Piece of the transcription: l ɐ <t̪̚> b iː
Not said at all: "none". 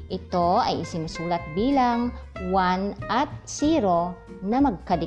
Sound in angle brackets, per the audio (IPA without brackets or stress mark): t̪̚